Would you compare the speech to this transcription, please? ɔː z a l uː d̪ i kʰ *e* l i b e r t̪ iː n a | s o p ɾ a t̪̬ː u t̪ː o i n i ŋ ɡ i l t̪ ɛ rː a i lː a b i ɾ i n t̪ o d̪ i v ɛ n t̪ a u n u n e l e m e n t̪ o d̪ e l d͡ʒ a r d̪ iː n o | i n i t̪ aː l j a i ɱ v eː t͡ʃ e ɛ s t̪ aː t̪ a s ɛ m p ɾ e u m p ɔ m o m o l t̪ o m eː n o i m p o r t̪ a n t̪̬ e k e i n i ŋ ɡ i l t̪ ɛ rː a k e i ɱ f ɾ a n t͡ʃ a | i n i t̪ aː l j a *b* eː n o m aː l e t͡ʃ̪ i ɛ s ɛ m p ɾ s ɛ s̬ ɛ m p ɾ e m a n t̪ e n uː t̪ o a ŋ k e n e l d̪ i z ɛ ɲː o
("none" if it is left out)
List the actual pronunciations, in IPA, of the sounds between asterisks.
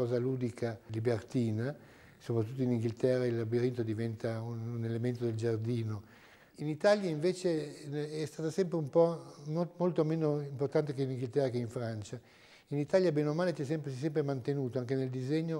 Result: a, b

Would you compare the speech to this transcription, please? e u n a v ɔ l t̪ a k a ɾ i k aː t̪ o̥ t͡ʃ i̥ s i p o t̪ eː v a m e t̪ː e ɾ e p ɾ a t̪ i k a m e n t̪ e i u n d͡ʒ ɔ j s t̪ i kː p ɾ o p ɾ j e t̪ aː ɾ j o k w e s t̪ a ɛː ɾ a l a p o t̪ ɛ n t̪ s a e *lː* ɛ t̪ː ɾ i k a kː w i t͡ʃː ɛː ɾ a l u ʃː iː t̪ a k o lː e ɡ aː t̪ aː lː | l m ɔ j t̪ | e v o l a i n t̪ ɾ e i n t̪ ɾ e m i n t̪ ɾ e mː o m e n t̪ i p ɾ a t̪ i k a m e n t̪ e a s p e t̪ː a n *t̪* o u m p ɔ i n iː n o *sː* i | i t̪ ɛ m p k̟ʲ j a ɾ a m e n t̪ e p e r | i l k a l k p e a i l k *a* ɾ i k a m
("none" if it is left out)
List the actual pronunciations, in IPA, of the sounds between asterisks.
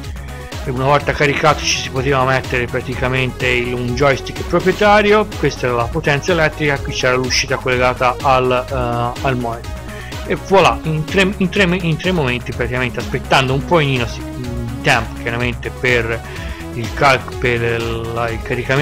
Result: l, d̪, s, a

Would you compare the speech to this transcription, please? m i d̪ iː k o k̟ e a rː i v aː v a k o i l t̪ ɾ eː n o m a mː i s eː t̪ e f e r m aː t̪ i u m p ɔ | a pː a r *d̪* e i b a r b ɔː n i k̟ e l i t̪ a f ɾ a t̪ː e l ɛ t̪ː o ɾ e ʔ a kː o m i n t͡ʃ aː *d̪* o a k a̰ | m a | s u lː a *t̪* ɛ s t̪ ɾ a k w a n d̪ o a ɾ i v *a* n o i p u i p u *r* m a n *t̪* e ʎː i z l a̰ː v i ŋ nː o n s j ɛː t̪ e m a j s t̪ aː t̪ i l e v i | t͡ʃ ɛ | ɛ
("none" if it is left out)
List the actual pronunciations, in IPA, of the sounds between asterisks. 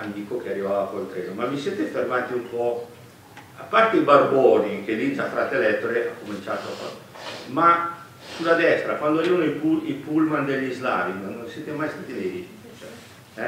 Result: t̪, t̪, d̪, a, l, d̪

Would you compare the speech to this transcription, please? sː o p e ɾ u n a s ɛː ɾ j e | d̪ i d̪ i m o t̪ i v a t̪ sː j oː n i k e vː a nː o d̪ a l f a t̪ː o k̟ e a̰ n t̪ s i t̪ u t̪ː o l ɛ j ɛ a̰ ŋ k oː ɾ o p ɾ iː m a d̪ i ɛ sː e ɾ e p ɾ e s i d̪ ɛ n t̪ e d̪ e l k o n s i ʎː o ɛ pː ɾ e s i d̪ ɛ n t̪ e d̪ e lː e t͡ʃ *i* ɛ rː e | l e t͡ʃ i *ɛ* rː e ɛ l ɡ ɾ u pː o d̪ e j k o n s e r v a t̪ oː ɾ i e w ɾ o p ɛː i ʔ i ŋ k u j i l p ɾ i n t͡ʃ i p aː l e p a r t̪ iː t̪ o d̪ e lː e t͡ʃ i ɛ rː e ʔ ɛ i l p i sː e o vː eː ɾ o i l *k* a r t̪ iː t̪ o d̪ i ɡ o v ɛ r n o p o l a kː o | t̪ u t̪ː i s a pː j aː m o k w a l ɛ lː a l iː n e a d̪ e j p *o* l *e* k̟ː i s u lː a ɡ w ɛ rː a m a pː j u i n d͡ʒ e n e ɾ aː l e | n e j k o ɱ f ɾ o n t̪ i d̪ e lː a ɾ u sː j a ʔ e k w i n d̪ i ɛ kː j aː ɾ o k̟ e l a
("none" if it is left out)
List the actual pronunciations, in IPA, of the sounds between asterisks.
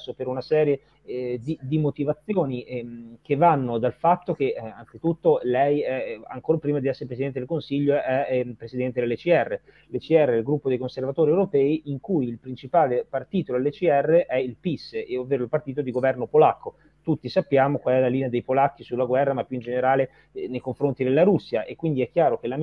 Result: i, ɛ, p, o, a

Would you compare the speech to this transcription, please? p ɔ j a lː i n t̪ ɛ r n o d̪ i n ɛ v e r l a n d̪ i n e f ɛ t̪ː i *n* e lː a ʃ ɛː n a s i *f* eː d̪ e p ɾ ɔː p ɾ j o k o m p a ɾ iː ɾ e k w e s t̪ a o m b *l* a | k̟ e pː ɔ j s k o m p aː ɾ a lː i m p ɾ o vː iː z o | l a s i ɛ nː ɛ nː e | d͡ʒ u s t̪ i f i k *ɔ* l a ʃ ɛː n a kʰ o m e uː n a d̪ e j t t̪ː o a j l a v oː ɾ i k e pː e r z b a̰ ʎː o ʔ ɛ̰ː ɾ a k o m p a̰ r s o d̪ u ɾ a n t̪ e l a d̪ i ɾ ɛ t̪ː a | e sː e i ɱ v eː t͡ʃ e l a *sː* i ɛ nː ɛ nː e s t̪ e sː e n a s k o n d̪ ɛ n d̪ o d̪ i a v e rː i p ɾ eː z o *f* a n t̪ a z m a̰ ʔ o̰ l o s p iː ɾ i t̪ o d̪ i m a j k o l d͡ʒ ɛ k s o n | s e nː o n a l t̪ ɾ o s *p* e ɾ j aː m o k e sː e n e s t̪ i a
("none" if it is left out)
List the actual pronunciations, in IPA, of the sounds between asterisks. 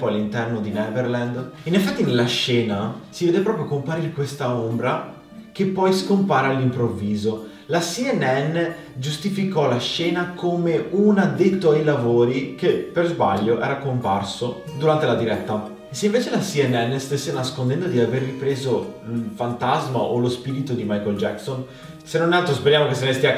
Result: n, v, ɾ, ɔ, s, f, p

